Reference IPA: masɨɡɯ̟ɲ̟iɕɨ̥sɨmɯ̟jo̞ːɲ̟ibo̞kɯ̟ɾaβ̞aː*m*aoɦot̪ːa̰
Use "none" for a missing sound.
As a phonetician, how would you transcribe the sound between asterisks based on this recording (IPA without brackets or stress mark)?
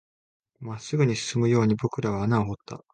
n